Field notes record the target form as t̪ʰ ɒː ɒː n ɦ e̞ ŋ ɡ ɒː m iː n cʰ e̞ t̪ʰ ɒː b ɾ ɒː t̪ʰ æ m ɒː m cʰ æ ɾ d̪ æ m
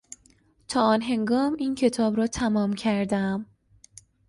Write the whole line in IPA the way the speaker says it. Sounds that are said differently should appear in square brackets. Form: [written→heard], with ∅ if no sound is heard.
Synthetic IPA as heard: t̪ʰ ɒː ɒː n ɦ e̞ ŋ ɡ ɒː m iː n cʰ e̞ t̪ʰ ɒː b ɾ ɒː t̪ʰ æ m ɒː m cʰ æ ɾ d̪ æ m